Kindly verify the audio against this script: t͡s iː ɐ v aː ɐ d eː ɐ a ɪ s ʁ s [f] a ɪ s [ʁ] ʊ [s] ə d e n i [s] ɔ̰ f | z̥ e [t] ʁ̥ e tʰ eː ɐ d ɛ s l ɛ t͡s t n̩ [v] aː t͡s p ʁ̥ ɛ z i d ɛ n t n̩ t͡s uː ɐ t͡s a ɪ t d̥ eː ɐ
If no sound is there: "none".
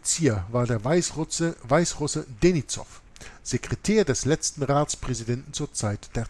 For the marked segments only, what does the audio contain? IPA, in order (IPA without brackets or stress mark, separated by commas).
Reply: v, ʁ, s, t͡s, k, ʁ